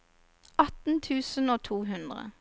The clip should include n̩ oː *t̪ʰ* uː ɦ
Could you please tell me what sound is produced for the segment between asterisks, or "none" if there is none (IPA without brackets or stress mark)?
t̪ʰ